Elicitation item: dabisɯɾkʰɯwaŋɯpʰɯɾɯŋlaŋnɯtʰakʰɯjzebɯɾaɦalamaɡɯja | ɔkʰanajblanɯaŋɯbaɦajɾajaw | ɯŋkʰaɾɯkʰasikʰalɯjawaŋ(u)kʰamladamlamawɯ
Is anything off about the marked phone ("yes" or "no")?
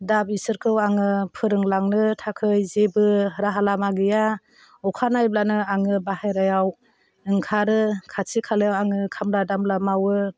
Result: yes